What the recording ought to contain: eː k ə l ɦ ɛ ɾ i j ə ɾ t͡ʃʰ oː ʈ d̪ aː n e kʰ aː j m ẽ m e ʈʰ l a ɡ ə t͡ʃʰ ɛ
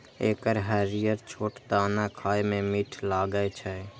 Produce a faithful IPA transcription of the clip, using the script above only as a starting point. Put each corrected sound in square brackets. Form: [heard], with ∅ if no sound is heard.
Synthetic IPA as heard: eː k ə [ɾ] ɦ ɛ ɾ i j ə ɾ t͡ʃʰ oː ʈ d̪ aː n [a] kʰ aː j m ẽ m [i] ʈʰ l a ɡ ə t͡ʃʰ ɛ